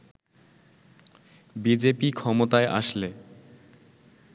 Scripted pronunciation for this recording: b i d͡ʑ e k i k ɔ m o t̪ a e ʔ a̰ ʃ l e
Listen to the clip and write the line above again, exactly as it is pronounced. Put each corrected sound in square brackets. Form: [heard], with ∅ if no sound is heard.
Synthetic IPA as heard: b i d͡ʑ e [p] i [kʰ] ɔ m o t̪ a e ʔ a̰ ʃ l e